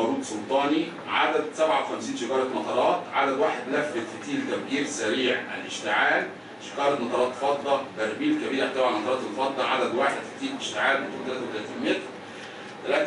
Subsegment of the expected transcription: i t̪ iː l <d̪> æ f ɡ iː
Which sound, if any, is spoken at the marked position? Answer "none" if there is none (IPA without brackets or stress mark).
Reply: t̪